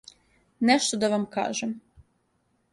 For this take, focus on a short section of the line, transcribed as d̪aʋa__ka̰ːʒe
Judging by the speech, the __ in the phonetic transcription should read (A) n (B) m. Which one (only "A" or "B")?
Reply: B